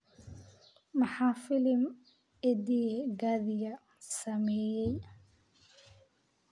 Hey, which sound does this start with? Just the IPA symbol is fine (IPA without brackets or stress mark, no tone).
m